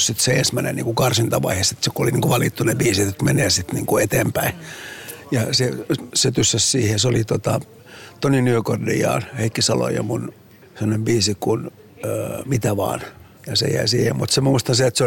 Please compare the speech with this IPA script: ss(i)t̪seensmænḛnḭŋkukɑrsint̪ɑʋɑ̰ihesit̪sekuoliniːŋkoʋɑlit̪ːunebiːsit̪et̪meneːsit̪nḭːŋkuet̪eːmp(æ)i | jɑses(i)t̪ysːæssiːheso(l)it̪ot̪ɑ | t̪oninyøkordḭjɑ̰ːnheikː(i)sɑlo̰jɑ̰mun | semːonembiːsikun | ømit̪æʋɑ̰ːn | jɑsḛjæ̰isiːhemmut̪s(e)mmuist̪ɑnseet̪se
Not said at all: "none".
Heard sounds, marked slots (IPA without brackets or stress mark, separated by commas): i, æ, e, l, i, e